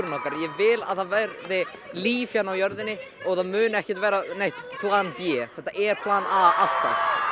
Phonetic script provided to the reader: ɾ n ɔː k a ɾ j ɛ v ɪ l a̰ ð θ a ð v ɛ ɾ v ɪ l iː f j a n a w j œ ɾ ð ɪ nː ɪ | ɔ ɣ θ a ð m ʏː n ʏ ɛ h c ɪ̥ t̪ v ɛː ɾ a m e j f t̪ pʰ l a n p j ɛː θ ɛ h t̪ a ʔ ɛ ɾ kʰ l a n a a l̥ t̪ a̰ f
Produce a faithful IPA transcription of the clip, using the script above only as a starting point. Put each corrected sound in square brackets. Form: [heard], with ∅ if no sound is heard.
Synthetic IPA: ɾ n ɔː k a ɾ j ɛ v ɪ l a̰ ð θ a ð v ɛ ɾ [ð] ɪ l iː f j a n a w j œ ɾ ð ɪ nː ɪ | ɔ ɣ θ a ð m ʏː n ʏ ɛ h c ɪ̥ t̪ v ɛː ɾ a [n] e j [h] t̪ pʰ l a n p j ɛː θ ɛ h t̪ a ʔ ɛ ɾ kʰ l a n a a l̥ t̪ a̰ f